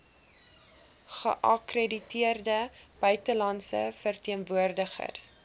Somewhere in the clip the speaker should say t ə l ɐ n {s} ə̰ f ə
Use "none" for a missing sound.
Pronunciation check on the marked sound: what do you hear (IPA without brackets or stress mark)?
s